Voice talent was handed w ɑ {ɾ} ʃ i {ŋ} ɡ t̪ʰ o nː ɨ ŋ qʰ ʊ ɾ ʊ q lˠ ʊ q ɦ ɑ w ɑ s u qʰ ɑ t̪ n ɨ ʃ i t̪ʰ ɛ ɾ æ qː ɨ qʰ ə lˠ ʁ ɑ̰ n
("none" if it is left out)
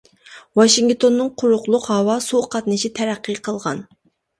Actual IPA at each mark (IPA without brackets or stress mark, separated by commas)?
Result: none, ŋ